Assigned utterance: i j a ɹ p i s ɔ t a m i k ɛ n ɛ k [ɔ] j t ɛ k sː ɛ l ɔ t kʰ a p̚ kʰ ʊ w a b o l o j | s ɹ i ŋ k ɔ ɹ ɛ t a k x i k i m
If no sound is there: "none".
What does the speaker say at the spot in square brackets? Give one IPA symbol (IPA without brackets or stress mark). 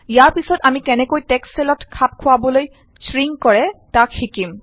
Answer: o